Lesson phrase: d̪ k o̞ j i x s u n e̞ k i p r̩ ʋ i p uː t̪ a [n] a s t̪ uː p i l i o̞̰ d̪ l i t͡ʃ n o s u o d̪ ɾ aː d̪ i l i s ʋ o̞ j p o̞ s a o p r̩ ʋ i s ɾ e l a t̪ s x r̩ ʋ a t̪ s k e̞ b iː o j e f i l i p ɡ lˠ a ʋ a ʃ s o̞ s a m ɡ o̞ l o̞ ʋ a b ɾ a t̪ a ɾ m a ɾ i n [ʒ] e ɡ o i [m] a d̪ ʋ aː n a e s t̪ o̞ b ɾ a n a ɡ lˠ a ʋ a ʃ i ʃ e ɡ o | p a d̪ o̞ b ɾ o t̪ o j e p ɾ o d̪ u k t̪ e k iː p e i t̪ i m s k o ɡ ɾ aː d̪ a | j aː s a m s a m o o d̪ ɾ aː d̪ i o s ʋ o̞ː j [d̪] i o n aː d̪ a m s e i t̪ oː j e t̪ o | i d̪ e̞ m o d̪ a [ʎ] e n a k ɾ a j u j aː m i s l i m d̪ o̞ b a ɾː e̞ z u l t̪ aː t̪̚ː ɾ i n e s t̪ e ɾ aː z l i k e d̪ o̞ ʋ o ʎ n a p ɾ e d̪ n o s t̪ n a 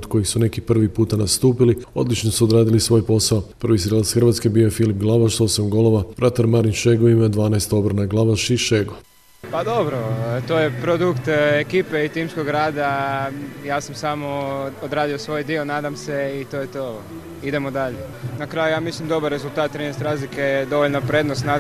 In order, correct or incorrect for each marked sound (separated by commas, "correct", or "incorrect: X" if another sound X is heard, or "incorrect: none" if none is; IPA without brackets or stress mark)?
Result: correct, incorrect: ʃ, correct, correct, correct